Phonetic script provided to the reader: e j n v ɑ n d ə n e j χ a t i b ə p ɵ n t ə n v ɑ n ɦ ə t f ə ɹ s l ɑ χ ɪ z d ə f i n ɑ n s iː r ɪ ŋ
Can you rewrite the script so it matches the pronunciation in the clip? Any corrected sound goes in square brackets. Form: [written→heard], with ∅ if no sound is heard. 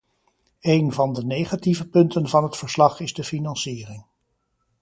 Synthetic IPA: e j n v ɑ n d ə n e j χ a t i [b→v] ə p ɵ n t ə n v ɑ n ɦ ə t f ə ɹ s l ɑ χ ɪ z d ə f i n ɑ n s iː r ɪ ŋ